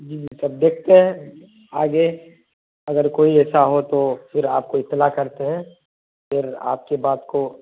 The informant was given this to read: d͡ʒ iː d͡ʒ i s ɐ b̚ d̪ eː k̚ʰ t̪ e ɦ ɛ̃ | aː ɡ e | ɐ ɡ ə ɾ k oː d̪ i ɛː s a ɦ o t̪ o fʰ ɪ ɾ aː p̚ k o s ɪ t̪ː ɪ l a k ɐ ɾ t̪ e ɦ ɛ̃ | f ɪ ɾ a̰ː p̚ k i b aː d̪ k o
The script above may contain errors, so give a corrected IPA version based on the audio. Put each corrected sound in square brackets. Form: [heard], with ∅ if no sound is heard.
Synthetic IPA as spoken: d͡ʒ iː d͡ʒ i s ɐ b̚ d̪ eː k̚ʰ t̪ e ɦ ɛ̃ | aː ɡ e | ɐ ɡ ə ɾ k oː [∅] i ɛː s a ɦ o t̪ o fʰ ɪ ɾ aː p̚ k o [∅] ɪ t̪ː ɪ l a k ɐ ɾ t̪ e ɦ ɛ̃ | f ɪ ɾ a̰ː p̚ k [e] b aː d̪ k o